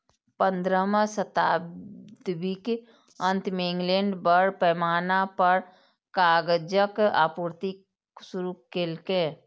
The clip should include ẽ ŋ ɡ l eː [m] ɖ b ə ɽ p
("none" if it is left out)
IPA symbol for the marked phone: ɳ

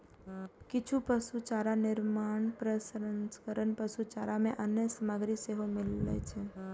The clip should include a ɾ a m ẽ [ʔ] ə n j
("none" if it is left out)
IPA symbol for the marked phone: ʔ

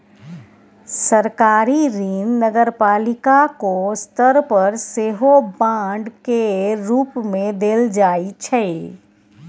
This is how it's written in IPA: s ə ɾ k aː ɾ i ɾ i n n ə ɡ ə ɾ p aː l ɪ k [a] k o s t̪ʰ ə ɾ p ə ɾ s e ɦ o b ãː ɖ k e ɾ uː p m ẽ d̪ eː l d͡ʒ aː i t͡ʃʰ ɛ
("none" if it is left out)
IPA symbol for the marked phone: a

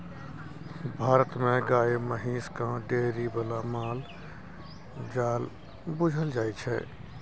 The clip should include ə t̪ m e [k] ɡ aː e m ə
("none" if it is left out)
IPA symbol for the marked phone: none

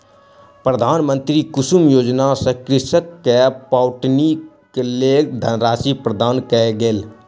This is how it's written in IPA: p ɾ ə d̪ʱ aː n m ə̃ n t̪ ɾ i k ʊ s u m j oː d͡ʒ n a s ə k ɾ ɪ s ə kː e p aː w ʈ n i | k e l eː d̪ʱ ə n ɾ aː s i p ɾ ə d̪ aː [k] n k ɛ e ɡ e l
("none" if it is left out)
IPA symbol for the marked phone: none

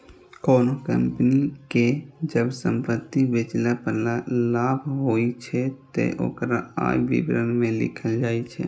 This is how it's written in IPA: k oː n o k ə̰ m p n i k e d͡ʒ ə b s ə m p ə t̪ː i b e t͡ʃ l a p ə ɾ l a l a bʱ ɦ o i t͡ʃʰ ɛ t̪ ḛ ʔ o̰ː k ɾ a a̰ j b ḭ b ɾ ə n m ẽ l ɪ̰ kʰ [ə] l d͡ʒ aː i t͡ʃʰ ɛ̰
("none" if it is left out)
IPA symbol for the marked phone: ə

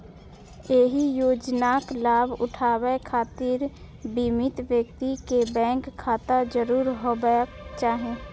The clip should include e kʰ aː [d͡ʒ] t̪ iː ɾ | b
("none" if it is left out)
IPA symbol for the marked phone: none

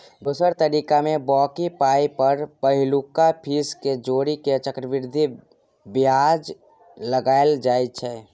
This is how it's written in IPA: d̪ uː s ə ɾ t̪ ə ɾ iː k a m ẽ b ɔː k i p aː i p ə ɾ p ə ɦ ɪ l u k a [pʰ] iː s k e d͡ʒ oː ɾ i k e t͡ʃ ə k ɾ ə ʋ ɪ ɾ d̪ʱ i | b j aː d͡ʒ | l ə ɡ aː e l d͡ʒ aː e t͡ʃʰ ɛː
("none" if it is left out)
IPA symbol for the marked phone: pʰ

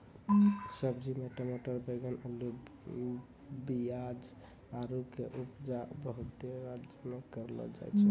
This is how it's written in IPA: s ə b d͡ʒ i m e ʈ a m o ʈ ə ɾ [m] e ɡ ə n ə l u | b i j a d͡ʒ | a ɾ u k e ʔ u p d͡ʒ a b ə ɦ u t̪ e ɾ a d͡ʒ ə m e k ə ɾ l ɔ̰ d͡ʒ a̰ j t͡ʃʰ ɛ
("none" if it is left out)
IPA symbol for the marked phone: b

